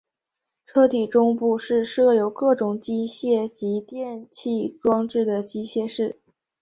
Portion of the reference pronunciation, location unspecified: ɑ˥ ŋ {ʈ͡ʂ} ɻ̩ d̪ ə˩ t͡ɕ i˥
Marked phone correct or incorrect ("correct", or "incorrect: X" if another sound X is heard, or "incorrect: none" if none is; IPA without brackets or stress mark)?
correct